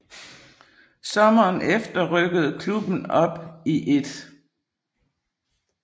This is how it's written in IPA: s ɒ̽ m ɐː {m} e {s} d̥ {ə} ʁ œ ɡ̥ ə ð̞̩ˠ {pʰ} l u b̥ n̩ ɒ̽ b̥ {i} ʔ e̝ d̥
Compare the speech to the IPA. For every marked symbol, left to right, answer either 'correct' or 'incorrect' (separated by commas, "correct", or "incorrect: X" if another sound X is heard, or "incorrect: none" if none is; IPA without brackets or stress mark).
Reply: incorrect: n, incorrect: f, incorrect: ɐ, incorrect: kʰ, correct